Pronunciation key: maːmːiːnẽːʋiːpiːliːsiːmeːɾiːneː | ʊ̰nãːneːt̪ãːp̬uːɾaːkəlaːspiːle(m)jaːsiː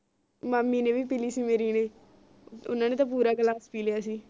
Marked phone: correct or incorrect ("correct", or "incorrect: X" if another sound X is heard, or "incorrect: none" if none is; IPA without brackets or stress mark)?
incorrect: none